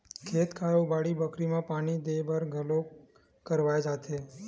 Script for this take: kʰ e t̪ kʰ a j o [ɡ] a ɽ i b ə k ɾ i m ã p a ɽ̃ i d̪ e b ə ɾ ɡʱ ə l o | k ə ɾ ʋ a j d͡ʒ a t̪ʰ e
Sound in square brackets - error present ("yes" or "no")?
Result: yes